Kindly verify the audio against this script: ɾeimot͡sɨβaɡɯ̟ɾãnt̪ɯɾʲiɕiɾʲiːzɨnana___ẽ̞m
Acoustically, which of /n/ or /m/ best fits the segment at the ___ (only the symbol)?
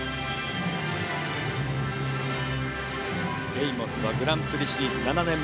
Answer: n